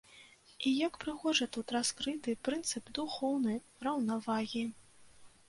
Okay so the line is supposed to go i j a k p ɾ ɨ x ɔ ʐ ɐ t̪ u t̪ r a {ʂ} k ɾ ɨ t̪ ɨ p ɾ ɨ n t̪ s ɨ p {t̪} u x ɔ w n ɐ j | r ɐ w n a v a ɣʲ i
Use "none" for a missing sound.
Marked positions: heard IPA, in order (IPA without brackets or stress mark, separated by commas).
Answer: s, d̪